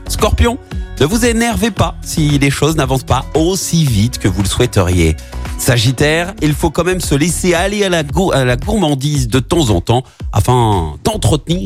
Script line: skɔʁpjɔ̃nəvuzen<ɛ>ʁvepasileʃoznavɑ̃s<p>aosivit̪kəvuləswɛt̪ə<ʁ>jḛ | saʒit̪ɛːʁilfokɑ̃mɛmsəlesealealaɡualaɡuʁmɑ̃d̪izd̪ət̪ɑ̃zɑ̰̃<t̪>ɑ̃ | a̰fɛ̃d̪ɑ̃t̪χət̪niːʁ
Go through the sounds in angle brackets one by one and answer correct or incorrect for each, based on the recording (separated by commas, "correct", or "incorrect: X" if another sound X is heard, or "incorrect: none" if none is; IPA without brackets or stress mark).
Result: correct, correct, correct, correct